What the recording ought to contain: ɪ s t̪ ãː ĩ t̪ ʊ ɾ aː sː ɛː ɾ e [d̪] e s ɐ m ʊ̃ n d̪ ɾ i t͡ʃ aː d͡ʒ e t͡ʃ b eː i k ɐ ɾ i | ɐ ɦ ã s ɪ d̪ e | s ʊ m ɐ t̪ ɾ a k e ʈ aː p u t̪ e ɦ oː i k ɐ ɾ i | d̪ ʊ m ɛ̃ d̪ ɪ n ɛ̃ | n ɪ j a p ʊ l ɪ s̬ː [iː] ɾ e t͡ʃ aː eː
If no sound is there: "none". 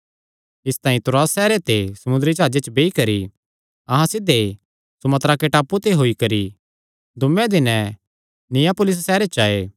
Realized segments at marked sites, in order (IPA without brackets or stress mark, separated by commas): t̪, ɛː